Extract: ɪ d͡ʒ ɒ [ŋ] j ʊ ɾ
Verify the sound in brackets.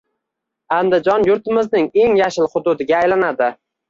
incorrect: n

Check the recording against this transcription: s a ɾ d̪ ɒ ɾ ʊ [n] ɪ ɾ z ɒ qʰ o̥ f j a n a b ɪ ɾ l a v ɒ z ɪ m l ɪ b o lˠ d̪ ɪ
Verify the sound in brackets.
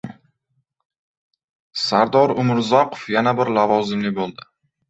incorrect: m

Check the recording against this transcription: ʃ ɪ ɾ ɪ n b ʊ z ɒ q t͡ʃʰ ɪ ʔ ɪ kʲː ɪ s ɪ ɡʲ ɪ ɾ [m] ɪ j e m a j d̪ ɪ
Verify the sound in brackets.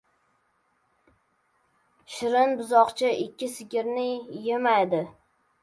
incorrect: n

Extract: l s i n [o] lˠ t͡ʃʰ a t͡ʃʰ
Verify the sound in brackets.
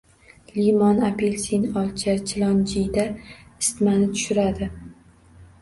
incorrect: ɒ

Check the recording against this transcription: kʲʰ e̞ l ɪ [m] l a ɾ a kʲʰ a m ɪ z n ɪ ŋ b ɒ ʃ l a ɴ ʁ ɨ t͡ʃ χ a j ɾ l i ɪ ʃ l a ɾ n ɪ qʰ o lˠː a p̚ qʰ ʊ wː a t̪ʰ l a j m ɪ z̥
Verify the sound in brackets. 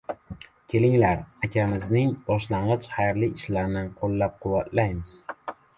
incorrect: ŋ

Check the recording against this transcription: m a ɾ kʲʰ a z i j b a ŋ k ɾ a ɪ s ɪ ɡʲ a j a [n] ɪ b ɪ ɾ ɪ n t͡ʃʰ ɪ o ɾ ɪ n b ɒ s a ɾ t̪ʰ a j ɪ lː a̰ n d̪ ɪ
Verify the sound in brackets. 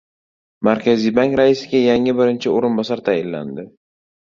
incorrect: ŋ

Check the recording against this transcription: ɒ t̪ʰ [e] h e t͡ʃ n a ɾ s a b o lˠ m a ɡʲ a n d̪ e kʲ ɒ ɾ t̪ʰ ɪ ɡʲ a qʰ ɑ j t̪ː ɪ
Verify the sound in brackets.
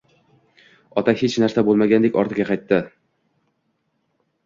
incorrect: a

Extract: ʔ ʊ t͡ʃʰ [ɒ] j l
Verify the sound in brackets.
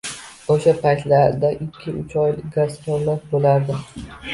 correct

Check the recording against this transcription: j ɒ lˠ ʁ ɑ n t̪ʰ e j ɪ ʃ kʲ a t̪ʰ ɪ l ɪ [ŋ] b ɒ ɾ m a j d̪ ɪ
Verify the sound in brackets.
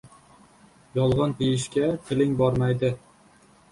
correct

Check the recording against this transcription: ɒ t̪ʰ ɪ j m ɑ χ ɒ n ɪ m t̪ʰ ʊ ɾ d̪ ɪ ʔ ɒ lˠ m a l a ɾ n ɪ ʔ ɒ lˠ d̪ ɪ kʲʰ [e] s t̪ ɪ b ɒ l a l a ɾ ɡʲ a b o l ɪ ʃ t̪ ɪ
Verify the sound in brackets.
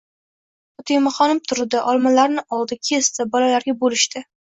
correct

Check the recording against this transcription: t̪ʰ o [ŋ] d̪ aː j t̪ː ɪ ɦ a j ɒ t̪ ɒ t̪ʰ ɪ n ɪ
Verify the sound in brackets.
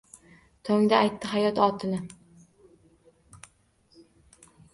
correct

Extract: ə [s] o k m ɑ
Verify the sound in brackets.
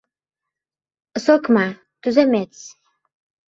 correct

